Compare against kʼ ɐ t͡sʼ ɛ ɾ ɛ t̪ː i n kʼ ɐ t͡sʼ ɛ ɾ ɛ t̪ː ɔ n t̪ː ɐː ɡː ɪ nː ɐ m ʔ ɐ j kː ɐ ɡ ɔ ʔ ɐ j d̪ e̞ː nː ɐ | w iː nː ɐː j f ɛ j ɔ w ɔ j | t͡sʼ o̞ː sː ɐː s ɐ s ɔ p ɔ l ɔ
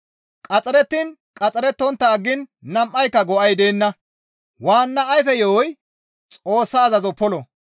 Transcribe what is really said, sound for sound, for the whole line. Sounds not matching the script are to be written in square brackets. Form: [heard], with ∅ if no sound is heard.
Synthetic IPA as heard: kʼ ɐ t͡sʼ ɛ ɾ ɛ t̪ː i n kʼ ɐ t͡sʼ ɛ ɾ ɛ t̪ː ɔ n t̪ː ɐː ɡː ɪ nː ɐ m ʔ ɐ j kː ɐ ɡ ɔ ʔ ɐ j d̪ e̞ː nː ɐ | w [aː] nː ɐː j f ɛ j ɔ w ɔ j | t͡sʼ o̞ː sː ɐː [z] ɐ [z] ɔ p ɔ l ɔ